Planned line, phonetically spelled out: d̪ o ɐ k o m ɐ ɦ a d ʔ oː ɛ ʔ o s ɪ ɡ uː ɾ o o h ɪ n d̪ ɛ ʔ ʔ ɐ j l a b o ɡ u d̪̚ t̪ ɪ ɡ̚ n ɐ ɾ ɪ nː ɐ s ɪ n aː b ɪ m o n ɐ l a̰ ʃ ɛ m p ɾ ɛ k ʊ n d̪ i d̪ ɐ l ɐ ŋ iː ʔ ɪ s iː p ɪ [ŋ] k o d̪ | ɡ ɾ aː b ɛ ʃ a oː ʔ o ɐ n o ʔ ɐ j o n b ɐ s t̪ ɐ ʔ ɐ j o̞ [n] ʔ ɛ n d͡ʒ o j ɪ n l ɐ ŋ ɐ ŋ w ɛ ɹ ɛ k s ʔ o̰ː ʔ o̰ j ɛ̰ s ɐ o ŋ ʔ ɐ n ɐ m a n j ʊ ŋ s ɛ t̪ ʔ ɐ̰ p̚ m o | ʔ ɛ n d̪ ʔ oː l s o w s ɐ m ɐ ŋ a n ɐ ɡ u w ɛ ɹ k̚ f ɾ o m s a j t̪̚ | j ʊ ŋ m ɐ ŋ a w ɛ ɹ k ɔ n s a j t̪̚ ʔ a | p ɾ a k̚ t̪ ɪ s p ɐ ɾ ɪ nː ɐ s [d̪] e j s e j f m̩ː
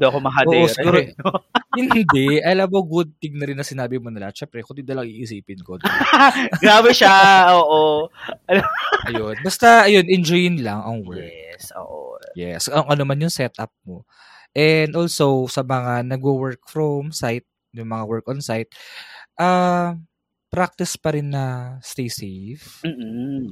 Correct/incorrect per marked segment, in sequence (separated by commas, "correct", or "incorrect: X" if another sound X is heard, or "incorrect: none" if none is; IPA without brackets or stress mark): incorrect: n, correct, incorrect: t̪